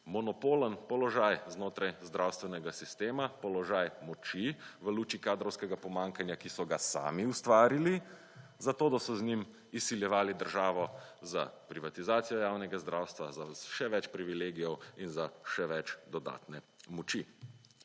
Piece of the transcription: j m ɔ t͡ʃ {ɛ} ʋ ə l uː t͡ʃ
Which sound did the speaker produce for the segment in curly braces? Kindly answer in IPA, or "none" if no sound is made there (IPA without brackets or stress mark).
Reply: i